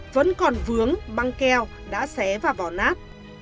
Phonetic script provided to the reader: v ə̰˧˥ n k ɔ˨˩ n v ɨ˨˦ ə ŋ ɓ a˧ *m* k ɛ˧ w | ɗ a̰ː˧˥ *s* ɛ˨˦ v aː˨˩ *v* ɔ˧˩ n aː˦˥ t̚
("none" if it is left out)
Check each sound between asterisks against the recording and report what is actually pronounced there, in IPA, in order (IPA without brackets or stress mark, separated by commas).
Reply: ŋ, s, v